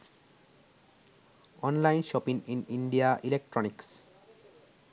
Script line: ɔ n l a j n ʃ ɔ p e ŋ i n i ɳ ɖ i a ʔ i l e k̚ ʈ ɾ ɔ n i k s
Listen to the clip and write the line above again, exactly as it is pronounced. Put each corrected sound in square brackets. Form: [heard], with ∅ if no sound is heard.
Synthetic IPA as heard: ɔ n l a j n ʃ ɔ p [i] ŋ i n i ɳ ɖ i a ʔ i l e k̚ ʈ ɾ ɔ n i k s